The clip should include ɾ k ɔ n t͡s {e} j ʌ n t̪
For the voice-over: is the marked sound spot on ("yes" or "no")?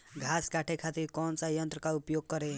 no